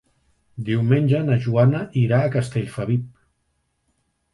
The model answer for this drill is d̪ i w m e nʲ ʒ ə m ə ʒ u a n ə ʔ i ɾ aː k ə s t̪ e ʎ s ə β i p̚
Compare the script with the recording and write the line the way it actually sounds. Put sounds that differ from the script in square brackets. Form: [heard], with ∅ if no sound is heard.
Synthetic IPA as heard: d̪ i w m e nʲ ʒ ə [n] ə ʒ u a n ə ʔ i ɾ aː k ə s t̪ e ʎ [f] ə β i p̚